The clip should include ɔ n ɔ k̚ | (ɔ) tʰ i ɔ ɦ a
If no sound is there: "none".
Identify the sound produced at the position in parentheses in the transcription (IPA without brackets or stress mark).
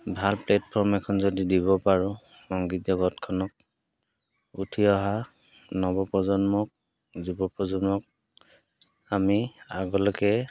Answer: u